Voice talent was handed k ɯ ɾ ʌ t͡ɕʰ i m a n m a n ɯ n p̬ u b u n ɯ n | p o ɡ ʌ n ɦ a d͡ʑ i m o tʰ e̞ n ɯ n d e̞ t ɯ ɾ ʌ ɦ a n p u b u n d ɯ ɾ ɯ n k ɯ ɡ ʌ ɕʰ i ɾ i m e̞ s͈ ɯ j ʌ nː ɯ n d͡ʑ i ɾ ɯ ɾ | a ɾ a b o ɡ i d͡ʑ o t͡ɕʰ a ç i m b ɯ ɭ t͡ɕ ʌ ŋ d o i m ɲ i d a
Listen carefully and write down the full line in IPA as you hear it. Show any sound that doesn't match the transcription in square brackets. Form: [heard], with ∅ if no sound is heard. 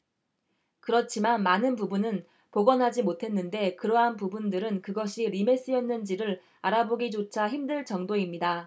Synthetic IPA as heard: k ɯ ɾ ʌ t͡ɕʰ i m a n m a n ɯ n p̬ u b u n ɯ n | p o ɡ ʌ n ɦ a d͡ʑ i m o tʰ e̞ [nː] ɯ n d e̞ [k] ɯ ɾ ʌ ɦ a n p u b u n d ɯ ɾ ɯ n k ɯ ɡ ʌ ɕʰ i ɾ i m e̞ s͈ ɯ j ʌ nː ɯ n d͡ʑ i ɾ ɯ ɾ | a ɾ a b o ɡ i d͡ʑ o t͡ɕʰ a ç i m [d] ɯ ɭ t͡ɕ ʌ ŋ d o i m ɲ i d a

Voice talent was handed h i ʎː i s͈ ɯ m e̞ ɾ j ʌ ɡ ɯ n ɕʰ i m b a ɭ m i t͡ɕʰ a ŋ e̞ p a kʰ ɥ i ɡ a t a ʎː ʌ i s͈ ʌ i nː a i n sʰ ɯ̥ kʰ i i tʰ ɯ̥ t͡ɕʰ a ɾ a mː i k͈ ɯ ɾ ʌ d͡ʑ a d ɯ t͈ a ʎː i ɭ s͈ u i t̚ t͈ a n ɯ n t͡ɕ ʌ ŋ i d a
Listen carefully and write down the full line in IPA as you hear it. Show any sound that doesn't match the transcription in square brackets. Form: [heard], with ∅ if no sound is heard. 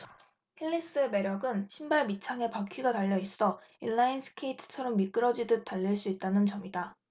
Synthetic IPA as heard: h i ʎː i s͈ ɯ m e̞ ɾ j ʌ ɡ ɯ n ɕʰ i m b a ɭ m i t͡ɕʰ a ŋ e̞ p a kʰ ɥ i ɡ a t a ʎː ʌ i s͈ ʌ i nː a i n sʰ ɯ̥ kʰ [e] i tʰ ɯ̥ t͡ɕʰ [ʌ] ɾ [ʌ] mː i k͈ ɯ ɾ ʌ d͡ʑ [i] d ɯ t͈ a ʎː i ɭ s͈ u i t̚ t͈ a n ɯ n t͡ɕ ʌ [m] i d a

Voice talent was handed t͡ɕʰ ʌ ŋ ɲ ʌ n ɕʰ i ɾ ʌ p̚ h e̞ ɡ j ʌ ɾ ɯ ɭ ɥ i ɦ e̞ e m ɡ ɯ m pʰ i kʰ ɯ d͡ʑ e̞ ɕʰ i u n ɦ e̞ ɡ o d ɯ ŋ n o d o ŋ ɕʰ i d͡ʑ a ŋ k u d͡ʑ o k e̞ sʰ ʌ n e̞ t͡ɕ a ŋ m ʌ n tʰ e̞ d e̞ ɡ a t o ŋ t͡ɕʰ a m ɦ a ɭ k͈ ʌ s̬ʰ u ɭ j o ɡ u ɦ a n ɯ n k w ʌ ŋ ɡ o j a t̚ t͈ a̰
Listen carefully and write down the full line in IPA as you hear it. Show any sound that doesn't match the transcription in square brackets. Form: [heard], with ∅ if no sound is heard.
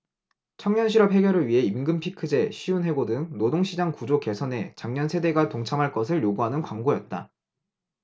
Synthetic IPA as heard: t͡ɕʰ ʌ ŋ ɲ ʌ n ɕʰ i ɾ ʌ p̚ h e̞ ɡ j ʌ ɾ ɯ ɭ ɥ i ɦ e̞ [i] m ɡ ɯ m pʰ i kʰ ɯ d͡ʑ e̞ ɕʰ i u n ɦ e̞ ɡ o d ɯ ŋ n o d o ŋ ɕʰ i d͡ʑ a ŋ k u d͡ʑ o k e̞ sʰ ʌ n e̞ t͡ɕ a ŋ [ɲ] ʌ n [sʰ] e̞ d e̞ ɡ a t o ŋ t͡ɕʰ a m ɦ a ɭ k͈ ʌ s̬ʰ [ɯ] ɭ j o ɡ u ɦ a n ɯ n k w [a] ŋ ɡ o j [ʌ] t̚ t͈ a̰

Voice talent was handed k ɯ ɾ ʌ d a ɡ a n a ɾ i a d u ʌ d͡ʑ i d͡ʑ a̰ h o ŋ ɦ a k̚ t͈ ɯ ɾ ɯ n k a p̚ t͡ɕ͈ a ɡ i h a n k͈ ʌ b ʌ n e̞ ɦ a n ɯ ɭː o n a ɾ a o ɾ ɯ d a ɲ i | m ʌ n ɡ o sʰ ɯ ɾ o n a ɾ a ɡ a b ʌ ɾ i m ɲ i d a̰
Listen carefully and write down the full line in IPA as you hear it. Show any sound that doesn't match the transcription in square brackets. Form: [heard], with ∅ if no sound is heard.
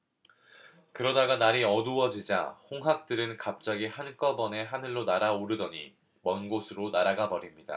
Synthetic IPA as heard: k ɯ ɾ ʌ d a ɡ a n a ɾ i [ʌ] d u ʌ d͡ʑ i d͡ʑ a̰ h o ŋ ɦ a k̚ t͈ ɯ ɾ ɯ n k a p̚ t͡ɕ͈ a ɡ i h a n k͈ ʌ b ʌ n e̞ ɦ a n ɯ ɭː o n a ɾ a o ɾ ɯ d [ʌ] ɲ i | m ʌ n ɡ o sʰ ɯ ɾ o n a ɾ a ɡ a b ʌ ɾ i m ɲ i d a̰

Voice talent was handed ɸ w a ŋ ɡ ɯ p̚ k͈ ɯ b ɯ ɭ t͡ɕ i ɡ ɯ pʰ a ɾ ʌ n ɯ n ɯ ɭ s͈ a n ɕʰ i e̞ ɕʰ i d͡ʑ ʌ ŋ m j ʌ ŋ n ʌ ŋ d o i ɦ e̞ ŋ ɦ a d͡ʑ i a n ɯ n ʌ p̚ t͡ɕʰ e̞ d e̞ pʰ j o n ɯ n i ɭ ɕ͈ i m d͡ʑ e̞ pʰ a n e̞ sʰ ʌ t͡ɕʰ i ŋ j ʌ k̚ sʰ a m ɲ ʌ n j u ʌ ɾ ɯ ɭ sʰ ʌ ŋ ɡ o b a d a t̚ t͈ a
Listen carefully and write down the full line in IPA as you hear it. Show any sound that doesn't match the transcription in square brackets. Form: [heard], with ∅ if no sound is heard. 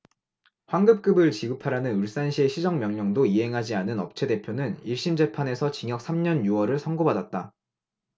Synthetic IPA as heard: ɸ w a ŋ ɡ ɯ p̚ k͈ ɯ b ɯ ɭ t͡ɕ i ɡ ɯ pʰ a ɾ [a] n ɯ n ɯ ɭ s͈ a n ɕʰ i e̞ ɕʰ i d͡ʑ ʌ ŋ m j ʌ ŋ [ɲ] ʌ ŋ d o i ɦ e̞ ŋ ɦ a d͡ʑ i a n ɯ n ʌ p̚ t͡ɕʰ e̞ d e̞ pʰ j o n ɯ n i ɭ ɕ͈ i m d͡ʑ e̞ pʰ a n e̞ sʰ ʌ [t͡ɕ] i ŋ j ʌ k̚ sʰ a m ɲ ʌ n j u ʌ ɾ ɯ ɭ sʰ ʌ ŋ ɡ o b a d a t̚ t͈ a

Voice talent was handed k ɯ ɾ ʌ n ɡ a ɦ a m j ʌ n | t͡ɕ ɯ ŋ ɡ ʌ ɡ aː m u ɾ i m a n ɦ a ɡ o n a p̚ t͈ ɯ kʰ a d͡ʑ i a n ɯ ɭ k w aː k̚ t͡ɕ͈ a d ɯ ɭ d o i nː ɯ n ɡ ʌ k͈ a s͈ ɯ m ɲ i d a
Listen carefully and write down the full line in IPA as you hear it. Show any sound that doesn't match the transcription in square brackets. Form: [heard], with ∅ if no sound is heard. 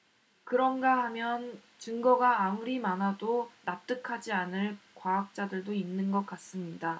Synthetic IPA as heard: k ɯ ɾ ʌ n ɡ a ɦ a m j ʌ n | t͡ɕ ɯ ŋ ɡ ʌ ɡ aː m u ɾ i m a n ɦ a [d] o n a p̚ t͈ ɯ kʰ a d͡ʑ i a n ɯ ɭ k w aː k̚ t͡ɕ͈ a d ɯ ɭ d o i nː ɯ n ɡ ʌ k͈ a s͈ ɯ m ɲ i d a

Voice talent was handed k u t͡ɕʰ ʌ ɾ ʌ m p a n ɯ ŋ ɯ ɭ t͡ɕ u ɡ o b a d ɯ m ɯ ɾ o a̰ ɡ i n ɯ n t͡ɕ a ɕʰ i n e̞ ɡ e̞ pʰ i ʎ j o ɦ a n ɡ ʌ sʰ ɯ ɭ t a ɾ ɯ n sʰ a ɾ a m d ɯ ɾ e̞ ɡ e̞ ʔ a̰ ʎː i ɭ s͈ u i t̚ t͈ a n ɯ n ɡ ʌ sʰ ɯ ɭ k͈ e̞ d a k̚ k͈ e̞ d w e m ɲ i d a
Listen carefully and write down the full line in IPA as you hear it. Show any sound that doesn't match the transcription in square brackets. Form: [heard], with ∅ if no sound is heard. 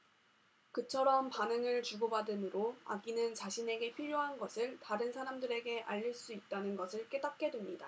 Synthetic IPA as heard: k [ɯ] t͡ɕʰ ʌ ɾ ʌ m p a n ɯ ŋ ɯ ɭ t͡ɕ u ɡ o b a d ɯ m ɯ ɾ o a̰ ɡ i n ɯ n t͡ɕ a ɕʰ i n e̞ ɡ e̞ pʰ i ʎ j o ɦ a n ɡ ʌ sʰ ɯ ɭ t a ɾ ɯ n sʰ a ɾ a m d ɯ ɾ e̞ ɡ e̞ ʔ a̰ ʎː i ɭ s͈ u i t̚ t͈ a n ɯ n ɡ ʌ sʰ ɯ ɭ k͈ e̞ d a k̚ k͈ e̞ d w e m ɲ i d a

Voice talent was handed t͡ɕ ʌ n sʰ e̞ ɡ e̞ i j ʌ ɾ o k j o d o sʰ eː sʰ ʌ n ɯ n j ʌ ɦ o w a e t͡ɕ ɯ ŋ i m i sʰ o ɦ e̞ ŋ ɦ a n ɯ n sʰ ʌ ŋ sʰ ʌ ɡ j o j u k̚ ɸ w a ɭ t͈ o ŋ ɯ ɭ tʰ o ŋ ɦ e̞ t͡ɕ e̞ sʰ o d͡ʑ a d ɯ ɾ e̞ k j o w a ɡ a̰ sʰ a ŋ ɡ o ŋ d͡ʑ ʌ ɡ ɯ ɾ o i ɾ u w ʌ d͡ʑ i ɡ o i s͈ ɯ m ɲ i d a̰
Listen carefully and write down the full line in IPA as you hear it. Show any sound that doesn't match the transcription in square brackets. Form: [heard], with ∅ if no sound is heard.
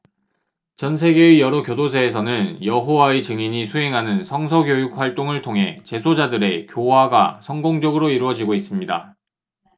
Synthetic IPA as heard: t͡ɕ ʌ n sʰ e̞ ɡ e̞ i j ʌ ɾ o k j o d o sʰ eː sʰ ʌ n ɯ n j ʌ ɦ o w a e t͡ɕ ɯ ŋ i [ɲ] i sʰ [u] ɦ e̞ ŋ ɦ a n ɯ n sʰ ʌ ŋ sʰ ʌ ɡ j o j u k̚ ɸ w a ɭ t͈ o ŋ ɯ ɭ tʰ o ŋ ɦ e̞ t͡ɕ e̞ sʰ o d͡ʑ a d ɯ ɾ e̞ k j o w a ɡ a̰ sʰ [ʌ] ŋ ɡ o ŋ d͡ʑ ʌ ɡ ɯ ɾ o i ɾ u w ʌ d͡ʑ i ɡ o i s͈ ɯ m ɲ i d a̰

